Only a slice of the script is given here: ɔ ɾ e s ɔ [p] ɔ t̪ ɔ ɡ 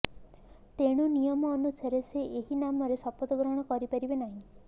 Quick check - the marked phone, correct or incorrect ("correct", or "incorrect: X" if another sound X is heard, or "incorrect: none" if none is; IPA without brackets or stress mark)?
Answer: correct